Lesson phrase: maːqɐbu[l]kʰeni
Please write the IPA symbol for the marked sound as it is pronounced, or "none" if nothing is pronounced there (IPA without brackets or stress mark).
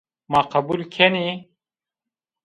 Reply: l